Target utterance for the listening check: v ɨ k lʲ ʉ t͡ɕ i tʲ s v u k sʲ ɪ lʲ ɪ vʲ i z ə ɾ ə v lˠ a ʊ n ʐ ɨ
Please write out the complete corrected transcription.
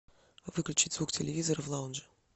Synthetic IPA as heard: v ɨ k lʲ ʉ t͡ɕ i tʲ z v u k tʲ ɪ lʲ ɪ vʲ i z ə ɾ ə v lˠ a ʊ n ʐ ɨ